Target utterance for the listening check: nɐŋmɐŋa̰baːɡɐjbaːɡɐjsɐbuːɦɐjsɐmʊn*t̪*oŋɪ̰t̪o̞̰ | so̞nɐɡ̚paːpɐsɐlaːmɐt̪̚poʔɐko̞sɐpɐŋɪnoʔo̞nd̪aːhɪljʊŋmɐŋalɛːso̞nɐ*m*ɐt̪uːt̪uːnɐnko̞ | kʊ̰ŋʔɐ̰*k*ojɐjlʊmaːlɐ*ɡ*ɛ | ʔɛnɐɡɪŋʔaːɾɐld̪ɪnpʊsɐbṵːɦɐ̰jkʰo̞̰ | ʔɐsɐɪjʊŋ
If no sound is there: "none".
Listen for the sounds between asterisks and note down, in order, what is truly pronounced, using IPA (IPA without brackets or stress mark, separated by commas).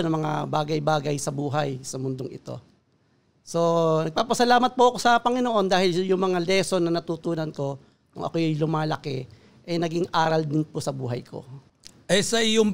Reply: d̪, n, k, k